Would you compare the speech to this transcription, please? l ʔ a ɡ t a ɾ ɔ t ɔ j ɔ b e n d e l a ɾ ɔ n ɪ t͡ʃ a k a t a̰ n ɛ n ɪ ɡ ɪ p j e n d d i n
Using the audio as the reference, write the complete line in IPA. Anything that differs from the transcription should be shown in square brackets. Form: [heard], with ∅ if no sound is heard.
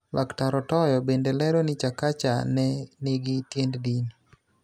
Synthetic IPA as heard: l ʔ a [k] t a ɾ ɔ t ɔ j ɔ b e n d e l [ɛ] ɾ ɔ n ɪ t͡ʃ a k a [t͡ʃ] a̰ n ɛ n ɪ ɡ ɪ [t] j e n d d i n